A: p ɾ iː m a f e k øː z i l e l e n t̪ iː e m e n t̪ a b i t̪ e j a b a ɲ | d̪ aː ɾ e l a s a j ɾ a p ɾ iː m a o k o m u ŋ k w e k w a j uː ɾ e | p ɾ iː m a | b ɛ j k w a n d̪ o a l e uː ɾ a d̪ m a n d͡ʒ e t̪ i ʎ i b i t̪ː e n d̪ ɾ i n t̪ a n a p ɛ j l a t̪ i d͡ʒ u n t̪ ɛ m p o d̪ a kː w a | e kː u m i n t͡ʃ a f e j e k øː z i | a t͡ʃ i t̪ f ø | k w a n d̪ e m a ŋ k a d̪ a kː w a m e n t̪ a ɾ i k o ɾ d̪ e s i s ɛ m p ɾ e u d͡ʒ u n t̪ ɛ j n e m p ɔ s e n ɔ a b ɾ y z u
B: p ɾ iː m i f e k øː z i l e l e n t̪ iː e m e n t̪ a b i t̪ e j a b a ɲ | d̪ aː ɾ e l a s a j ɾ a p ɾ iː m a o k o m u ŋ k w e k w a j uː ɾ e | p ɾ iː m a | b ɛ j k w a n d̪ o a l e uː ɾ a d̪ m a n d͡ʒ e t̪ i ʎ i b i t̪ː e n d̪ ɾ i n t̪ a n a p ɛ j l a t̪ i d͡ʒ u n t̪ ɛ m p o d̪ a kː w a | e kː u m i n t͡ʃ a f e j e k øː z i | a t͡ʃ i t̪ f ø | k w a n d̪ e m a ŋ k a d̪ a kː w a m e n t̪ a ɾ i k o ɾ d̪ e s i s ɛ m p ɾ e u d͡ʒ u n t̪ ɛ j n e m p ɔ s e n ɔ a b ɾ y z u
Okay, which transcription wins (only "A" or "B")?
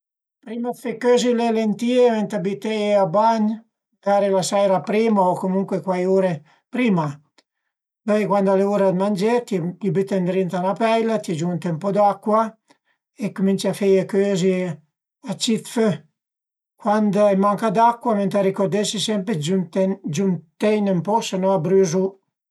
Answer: A